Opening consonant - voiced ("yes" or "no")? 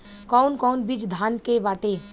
no